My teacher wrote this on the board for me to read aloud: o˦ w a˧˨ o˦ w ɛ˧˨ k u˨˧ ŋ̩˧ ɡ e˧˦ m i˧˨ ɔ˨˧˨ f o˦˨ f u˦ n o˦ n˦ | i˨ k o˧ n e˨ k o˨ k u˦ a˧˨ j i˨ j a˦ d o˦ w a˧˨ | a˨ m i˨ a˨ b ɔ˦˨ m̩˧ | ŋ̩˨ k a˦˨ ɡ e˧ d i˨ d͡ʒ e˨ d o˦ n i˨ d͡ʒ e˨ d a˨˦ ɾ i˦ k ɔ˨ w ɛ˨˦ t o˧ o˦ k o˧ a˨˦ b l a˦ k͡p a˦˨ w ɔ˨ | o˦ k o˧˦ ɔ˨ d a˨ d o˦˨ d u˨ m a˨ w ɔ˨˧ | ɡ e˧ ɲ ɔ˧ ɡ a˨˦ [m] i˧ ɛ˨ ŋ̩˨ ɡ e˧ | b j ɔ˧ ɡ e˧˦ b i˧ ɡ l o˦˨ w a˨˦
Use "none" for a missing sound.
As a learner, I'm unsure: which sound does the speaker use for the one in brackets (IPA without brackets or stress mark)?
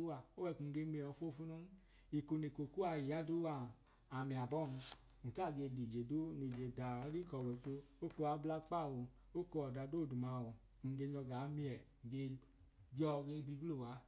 m